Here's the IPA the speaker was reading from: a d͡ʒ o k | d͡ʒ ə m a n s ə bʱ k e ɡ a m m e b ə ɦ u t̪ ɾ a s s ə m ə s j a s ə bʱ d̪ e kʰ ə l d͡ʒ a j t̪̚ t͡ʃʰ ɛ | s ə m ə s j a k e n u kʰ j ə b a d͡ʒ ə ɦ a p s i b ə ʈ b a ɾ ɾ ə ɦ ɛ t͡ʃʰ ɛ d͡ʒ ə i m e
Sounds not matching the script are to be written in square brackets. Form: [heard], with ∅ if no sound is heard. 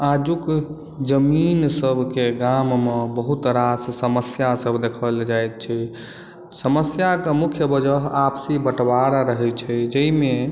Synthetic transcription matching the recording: a d͡ʒ [u] k | d͡ʒ ə m [i] n s ə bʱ k e ɡ a m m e b ə ɦ u t̪ ɾ a s s ə m ə s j a s ə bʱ d̪ e kʰ ə l d͡ʒ a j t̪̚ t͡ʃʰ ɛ | s ə m ə s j a k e [m] u kʰ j ə b [ə] d͡ʒ ə ɦ a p s i b ə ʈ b a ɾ ɾ ə ɦ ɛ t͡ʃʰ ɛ d͡ʒ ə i m e